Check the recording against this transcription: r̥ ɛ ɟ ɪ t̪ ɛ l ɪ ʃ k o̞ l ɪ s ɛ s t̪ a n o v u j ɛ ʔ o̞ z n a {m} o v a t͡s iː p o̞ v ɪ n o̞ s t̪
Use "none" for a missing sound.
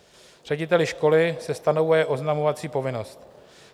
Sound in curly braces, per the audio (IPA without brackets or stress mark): m